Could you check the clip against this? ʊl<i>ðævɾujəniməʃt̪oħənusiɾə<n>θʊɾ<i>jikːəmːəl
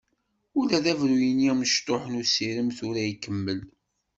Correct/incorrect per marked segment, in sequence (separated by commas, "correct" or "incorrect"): incorrect, incorrect, incorrect